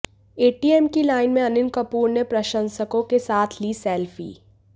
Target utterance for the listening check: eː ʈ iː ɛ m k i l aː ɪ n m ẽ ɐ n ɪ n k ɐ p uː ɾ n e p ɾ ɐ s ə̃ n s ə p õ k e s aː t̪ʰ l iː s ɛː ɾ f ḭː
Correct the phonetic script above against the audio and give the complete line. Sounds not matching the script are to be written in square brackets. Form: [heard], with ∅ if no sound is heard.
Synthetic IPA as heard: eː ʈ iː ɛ m k i l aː ɪ n m ẽ ɐ n ɪ n k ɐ p uː ɾ n e p ɾ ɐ [ʃ] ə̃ n s ə [k] õ k e s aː t̪ʰ l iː s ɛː [l] f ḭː